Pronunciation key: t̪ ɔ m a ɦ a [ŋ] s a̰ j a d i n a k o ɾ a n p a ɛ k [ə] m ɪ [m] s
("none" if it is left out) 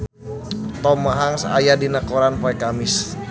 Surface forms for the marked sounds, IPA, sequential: ŋ, a, none

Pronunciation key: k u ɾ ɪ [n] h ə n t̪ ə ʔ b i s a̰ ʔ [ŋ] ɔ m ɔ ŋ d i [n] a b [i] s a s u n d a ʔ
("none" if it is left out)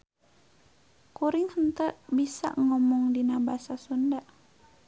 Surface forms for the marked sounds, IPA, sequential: ŋ, ŋ, n, a

